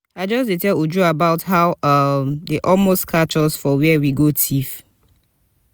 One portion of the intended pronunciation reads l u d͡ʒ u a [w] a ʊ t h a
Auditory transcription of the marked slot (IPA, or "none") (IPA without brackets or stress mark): b